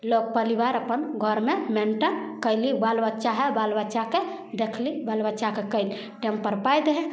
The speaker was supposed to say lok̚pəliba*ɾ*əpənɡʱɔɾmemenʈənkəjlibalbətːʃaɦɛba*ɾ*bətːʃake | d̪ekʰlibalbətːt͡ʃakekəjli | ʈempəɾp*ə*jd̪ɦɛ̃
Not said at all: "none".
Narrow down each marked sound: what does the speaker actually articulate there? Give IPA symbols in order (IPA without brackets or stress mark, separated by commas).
ɾ, l, a